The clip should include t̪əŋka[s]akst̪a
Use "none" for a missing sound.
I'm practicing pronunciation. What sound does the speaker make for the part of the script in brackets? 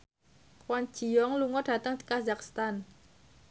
z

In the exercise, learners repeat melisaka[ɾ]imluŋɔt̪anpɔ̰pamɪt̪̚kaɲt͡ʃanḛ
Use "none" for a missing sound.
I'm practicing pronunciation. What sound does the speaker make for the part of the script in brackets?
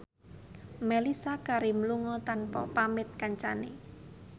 ɾ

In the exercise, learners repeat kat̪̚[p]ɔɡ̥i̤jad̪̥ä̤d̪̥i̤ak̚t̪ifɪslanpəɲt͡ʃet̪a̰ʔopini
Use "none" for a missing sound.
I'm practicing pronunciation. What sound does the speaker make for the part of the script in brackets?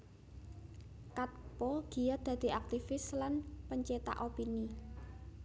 p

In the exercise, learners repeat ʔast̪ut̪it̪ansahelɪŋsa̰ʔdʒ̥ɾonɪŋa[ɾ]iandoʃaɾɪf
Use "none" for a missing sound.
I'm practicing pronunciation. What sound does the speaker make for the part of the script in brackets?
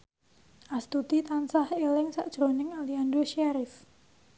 l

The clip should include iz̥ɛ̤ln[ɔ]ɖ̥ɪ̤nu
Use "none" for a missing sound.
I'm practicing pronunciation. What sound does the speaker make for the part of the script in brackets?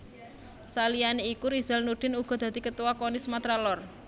u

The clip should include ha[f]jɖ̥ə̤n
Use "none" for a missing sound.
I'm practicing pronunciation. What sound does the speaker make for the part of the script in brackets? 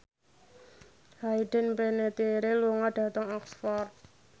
none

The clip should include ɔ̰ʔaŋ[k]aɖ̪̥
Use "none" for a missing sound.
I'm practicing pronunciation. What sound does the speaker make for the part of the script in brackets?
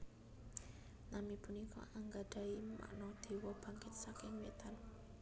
ɡ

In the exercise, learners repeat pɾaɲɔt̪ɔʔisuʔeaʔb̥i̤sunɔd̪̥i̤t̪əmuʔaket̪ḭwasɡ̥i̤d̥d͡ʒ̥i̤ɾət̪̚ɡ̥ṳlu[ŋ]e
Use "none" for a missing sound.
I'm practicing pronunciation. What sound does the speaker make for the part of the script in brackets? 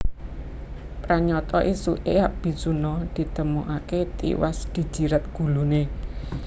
n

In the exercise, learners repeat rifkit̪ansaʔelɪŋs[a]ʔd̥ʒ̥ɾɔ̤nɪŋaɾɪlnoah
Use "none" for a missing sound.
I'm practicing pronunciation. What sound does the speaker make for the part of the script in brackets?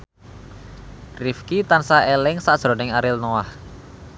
a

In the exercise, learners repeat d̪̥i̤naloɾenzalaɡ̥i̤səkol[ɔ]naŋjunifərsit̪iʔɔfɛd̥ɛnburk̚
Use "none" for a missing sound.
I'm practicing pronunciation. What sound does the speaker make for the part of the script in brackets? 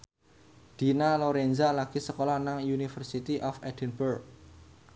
ɔ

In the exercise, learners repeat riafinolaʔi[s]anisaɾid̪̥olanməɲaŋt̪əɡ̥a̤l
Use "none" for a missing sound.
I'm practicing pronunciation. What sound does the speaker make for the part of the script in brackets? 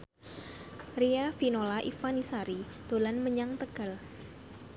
f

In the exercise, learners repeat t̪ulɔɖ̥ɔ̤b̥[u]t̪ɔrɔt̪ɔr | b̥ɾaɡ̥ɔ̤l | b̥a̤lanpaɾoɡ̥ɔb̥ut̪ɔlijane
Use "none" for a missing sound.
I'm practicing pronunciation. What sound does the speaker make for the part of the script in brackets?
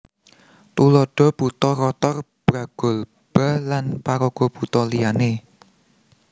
u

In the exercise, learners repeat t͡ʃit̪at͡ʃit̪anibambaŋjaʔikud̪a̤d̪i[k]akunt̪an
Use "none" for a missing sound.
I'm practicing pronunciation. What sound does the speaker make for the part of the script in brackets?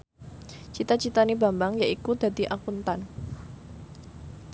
ʔ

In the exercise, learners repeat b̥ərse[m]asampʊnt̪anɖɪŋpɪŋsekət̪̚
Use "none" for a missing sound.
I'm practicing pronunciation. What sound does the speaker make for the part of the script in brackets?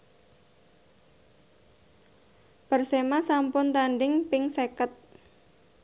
m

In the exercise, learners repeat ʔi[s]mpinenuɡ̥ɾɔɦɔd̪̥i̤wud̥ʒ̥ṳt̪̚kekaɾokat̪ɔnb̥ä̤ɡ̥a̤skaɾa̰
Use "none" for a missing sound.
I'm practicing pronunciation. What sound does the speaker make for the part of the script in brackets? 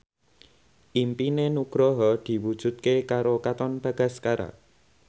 none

